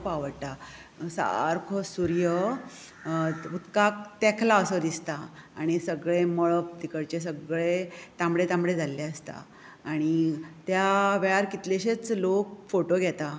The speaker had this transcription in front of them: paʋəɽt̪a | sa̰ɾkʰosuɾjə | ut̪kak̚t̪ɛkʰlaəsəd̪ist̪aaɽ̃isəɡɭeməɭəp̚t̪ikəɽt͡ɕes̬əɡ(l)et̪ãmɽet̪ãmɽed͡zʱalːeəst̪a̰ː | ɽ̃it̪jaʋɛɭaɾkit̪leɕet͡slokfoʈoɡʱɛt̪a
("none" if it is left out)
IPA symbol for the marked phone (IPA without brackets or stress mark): ɭ